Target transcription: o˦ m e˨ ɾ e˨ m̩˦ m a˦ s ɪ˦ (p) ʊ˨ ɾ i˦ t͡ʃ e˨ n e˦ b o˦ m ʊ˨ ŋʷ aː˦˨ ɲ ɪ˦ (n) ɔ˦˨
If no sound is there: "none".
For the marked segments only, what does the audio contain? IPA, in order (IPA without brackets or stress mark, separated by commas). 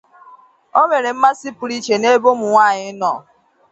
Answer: p, n